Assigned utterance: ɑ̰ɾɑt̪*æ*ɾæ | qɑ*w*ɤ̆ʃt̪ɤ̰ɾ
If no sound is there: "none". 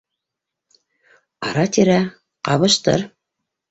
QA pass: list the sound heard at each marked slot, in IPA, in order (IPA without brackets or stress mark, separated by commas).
i, β